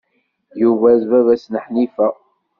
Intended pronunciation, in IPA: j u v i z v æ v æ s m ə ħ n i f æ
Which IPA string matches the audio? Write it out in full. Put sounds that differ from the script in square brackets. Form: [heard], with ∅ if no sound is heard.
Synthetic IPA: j u v [æ] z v æ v æ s [n] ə ħ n i f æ